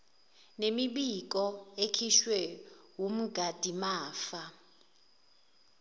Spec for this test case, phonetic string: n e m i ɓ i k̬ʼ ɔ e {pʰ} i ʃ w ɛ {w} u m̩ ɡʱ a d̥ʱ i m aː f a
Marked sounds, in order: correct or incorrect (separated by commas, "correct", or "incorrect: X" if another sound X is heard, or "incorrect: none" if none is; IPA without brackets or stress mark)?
incorrect: kʰ, correct